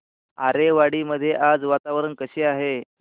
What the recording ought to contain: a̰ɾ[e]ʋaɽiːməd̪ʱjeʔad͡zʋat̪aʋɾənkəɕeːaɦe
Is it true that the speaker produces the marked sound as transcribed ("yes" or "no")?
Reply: yes